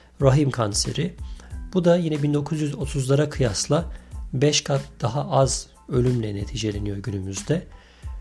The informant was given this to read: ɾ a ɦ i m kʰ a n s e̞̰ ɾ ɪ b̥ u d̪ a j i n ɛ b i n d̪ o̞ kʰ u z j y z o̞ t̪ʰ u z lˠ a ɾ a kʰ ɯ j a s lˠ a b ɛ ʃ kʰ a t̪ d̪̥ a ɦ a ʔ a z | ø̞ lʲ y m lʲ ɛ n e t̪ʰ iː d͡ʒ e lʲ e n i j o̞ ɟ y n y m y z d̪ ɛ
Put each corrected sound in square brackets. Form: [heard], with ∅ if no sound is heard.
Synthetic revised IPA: ɾ a ɦ i m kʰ a n s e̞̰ ɾ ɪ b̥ u d̪ a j i n ɛ b i n d̪ o̞ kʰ u z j y z o̞ t̪ʰ u z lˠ a ɾ a kʰ ɯ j a s lˠ a b ɛ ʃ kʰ a t̪ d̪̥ a ɦ a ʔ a z | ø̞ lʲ y m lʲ ɛ n e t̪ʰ iː d͡ʒ e lʲ e n i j o̞ ɟ y n y m y z d̪ ɛ